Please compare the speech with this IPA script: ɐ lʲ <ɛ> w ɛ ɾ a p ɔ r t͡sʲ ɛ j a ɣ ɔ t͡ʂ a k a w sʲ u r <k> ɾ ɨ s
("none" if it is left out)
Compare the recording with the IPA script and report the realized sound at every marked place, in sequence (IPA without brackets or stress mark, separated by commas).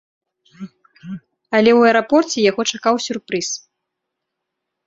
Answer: ɛ, p